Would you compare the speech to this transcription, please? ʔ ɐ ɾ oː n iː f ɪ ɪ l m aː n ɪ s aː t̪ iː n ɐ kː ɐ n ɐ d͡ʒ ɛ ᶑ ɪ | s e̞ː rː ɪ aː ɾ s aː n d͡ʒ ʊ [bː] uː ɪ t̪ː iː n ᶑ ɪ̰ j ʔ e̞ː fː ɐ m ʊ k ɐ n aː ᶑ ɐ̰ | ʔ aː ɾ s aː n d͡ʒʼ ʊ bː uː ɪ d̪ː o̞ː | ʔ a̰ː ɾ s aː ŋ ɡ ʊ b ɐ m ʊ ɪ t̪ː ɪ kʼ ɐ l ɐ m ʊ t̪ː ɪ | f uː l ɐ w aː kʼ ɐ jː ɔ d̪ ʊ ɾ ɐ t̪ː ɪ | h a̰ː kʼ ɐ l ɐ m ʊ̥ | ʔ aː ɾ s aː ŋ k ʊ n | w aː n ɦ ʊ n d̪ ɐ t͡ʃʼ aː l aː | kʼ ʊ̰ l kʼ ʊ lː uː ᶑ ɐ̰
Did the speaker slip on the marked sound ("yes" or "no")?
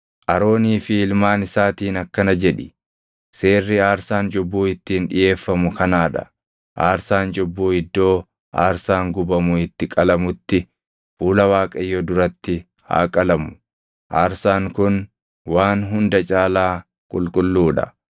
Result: no